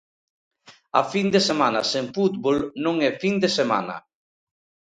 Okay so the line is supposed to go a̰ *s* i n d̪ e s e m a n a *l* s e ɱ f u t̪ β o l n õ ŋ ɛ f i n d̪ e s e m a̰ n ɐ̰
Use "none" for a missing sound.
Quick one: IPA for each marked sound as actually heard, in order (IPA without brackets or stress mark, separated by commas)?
f, none